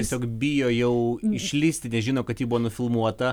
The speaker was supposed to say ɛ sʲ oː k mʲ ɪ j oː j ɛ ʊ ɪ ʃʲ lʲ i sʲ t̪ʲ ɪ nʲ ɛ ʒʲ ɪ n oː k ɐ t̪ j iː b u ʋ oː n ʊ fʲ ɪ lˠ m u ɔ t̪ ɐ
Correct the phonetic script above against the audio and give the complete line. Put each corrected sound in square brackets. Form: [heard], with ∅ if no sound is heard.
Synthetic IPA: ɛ sʲ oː k [bʲ] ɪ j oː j ɛ ʊ ɪ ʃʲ lʲ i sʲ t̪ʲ ɪ nʲ ɛ ʒʲ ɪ n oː k ɐ t̪ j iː b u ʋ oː n ʊ fʲ ɪ lˠ m u ɔ t̪ ɐ